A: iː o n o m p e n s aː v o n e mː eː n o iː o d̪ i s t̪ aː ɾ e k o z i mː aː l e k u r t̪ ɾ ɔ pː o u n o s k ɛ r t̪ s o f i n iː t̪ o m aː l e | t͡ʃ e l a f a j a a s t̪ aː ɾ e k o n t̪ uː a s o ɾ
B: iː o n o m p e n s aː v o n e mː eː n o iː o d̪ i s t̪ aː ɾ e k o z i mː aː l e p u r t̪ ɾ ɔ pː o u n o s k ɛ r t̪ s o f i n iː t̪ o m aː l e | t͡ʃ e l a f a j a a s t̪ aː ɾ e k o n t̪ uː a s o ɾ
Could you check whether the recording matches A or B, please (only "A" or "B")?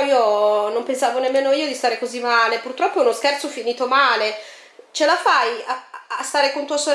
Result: B